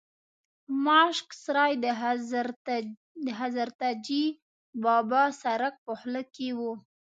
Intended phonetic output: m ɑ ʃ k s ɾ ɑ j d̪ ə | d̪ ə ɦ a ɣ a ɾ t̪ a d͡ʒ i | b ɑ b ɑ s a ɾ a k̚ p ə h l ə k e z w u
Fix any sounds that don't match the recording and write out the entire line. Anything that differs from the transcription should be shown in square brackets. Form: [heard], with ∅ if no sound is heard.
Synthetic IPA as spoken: m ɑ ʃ k s ɾ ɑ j d̪ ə | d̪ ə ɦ a [z] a ɾ t̪ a d͡ʒ i | b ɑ b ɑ s a ɾ a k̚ p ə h l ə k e [∅] w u